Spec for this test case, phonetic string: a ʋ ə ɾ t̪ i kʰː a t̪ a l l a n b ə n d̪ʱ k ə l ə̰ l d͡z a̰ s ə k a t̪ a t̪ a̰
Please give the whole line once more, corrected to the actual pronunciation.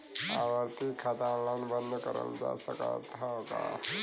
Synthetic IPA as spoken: a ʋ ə ɾ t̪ i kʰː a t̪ a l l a n b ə n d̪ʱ k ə ɾ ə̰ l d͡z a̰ s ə k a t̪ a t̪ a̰